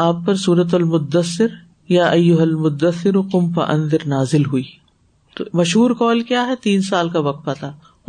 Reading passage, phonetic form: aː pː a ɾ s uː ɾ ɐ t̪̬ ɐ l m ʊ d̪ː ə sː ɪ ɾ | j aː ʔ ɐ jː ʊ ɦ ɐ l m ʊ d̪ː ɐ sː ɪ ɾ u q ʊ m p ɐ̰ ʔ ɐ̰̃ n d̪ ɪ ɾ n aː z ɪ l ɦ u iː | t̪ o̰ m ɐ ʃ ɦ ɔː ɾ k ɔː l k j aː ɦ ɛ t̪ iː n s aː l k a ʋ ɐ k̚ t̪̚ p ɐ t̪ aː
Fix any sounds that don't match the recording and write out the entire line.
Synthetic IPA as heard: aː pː ɐ ɾ s uː ɾ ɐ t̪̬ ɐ l m ʊ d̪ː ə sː ɪ ɾ | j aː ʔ ɐ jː ʊ ɦ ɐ l m ʊ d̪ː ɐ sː ɪ ɾ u q ʊ m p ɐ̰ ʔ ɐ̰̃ n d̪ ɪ ɾ n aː z ɪ l ɦ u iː | t̪ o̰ m ɐ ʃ ɦ uː ɾ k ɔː l k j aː ɦ ɛ t̪ iː n s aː l k a ʋ ɐ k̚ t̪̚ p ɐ t̪ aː